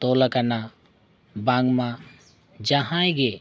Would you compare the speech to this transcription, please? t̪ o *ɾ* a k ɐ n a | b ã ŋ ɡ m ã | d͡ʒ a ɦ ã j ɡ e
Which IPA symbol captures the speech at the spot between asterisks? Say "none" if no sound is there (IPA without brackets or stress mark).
l